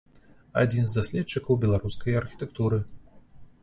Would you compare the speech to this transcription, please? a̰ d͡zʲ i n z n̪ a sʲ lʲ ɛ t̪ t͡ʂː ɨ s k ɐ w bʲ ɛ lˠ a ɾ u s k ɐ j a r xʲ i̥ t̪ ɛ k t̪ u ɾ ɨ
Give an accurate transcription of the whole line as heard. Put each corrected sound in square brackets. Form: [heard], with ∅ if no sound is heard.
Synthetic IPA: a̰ d͡zʲ i n z [d̪] a sʲ lʲ ɛ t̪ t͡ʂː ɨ [∅] k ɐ w bʲ ɛ lˠ a ɾ u s k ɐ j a r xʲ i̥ t̪ ɛ k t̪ u ɾ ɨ